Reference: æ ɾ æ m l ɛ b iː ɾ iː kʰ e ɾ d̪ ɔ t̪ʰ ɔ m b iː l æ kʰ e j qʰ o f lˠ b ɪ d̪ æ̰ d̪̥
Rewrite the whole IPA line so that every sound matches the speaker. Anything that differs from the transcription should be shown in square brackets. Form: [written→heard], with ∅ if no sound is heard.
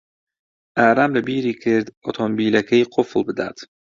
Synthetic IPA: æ ɾ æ m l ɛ b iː ɾ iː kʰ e ɾ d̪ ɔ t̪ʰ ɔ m b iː l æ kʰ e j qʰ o f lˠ b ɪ d̪ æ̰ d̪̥